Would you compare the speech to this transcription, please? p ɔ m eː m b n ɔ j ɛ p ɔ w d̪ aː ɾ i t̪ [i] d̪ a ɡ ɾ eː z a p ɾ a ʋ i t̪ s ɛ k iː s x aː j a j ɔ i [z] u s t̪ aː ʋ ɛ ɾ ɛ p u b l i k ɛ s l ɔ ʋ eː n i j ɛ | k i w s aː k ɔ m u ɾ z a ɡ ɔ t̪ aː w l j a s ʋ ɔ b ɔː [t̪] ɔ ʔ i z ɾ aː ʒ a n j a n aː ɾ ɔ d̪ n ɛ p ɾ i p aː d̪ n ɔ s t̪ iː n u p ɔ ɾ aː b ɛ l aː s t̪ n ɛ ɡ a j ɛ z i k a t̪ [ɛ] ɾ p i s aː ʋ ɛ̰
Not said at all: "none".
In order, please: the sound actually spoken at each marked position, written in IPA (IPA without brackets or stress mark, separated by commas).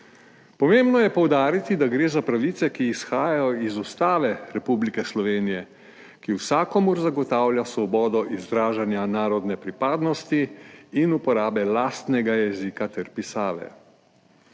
i, z, d̪, ɛ